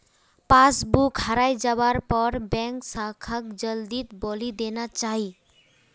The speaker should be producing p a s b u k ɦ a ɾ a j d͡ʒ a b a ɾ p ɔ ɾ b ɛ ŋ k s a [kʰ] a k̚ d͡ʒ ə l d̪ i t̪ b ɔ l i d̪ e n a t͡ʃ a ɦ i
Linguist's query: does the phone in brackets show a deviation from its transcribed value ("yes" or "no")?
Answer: no